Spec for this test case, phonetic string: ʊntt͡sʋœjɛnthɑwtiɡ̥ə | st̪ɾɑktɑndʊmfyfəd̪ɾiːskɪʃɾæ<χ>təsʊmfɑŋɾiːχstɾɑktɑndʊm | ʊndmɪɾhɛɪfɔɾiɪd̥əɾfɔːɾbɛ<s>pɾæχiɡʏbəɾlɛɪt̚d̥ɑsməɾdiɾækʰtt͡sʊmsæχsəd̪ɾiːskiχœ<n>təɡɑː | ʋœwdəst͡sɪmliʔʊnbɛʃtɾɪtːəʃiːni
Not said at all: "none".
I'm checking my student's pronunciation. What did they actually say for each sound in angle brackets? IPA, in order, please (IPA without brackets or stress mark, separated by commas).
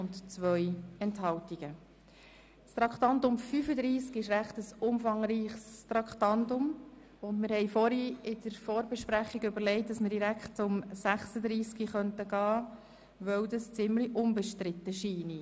χ, ʃ, n